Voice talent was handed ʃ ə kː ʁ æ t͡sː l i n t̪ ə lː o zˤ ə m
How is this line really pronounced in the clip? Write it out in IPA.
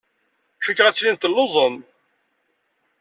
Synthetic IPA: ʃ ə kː ʁ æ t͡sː l i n t̪ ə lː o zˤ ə m